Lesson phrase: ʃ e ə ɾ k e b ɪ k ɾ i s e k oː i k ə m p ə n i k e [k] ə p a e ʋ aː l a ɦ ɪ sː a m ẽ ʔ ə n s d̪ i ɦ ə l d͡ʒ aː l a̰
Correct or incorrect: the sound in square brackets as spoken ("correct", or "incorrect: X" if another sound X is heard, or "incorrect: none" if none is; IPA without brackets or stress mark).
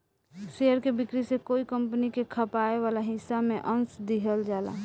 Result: incorrect: kʰ